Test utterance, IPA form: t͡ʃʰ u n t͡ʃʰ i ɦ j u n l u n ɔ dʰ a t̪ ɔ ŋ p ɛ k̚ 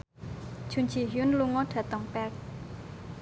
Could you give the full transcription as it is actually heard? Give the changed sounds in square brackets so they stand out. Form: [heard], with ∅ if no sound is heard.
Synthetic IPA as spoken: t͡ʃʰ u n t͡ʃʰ i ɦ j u n l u [ŋ] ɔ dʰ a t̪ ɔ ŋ p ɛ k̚